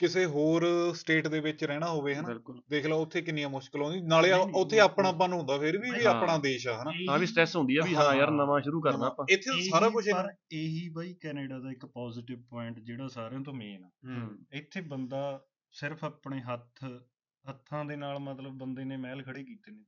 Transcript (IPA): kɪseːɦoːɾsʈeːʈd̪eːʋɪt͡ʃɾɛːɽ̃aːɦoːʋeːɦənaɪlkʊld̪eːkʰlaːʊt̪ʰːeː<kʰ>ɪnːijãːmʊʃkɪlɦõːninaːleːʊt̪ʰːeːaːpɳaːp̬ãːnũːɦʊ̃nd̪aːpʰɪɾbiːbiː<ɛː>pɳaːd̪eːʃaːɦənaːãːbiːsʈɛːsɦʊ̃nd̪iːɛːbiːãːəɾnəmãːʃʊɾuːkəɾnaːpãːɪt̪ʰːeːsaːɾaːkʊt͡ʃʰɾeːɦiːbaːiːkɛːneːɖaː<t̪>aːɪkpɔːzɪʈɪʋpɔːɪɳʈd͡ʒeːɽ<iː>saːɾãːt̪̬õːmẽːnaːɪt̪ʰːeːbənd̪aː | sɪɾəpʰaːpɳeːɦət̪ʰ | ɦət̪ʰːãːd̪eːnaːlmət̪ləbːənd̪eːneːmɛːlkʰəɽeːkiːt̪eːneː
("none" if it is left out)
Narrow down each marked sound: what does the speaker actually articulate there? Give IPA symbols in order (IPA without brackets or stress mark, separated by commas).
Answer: k, aː, d̪, aː